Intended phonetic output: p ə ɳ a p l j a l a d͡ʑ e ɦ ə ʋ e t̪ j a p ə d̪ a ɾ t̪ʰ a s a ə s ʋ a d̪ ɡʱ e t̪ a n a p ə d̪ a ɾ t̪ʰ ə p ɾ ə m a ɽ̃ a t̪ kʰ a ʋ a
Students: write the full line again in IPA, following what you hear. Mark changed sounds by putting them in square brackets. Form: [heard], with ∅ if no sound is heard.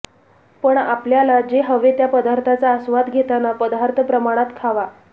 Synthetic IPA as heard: p ə ɳ a p l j a l a d͡ʑ e ɦ ə ʋ e t̪ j a p ə d̪ a ɾ t̪ʰ a [t͡s] a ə s ʋ a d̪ ɡʱ e t̪ a n a p ə d̪ a ɾ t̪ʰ ə p ɾ ə m a ɽ̃ a t̪ kʰ a ʋ a